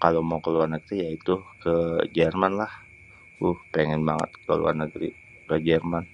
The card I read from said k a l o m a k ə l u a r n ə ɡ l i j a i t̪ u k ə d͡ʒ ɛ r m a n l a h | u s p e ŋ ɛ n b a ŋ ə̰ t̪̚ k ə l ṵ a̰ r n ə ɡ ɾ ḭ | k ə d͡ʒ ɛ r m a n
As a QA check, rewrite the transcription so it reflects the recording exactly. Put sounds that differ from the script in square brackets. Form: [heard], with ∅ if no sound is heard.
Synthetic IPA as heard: k a l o m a k ə l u a r n ə ɡ [ɾ] i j a i t̪ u k ə d͡ʒ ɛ r m a n l a h | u [h] p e ŋ ɛ n b a ŋ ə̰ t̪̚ k ə l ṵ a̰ r n ə ɡ ɾ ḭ | k ə d͡ʒ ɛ r m a n